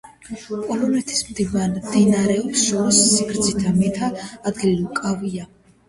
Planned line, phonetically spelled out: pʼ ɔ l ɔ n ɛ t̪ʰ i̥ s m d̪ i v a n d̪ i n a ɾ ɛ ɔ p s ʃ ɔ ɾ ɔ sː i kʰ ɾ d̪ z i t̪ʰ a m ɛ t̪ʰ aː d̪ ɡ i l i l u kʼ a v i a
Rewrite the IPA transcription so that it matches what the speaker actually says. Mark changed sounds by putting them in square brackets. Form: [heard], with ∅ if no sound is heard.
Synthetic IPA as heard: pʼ ɔ l ɔ n ɛ t̪ʰ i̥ s m d̪ i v a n d̪ i n a ɾ ɛ ɔ p s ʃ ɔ ɾ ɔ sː i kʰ ɾ d̪ z i t̪ʰ a m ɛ t̪ʰ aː d̪ ɡ i l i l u kʼ a v i a